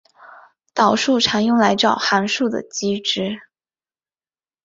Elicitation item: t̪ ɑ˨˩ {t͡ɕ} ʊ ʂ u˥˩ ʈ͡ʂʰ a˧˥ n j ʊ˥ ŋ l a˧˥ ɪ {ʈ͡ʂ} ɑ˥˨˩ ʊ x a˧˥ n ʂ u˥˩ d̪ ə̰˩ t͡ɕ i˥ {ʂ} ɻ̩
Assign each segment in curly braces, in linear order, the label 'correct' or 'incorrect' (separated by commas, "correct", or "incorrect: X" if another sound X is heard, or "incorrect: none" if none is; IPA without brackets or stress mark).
incorrect: none, correct, incorrect: ʈ͡ʂ